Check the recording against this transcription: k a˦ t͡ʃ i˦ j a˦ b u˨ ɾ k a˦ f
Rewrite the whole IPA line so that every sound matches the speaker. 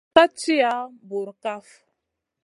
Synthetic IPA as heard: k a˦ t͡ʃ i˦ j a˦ b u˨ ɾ k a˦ f